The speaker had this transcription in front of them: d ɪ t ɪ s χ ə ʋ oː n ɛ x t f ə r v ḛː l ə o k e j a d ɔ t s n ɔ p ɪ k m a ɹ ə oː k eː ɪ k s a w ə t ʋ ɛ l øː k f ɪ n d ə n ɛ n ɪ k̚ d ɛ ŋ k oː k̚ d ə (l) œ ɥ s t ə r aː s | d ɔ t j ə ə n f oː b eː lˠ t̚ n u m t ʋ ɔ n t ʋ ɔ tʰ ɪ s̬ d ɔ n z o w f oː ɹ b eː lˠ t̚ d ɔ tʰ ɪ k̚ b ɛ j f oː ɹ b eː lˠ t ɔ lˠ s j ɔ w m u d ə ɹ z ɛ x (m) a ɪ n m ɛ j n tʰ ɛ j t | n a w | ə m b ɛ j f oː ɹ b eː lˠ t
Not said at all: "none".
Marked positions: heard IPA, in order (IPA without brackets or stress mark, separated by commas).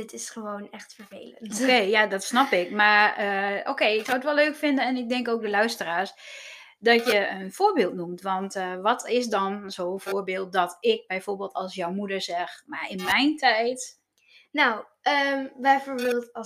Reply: l, m